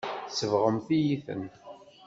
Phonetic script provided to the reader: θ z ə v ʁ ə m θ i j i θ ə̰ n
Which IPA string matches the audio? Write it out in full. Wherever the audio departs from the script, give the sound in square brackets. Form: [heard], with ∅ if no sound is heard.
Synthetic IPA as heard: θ [s] ə v ʁ ə m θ i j i θ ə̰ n